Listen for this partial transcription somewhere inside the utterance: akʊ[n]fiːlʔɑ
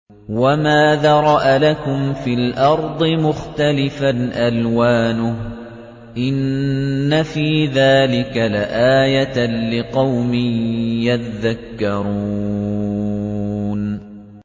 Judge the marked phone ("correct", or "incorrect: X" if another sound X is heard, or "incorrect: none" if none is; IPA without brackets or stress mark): incorrect: m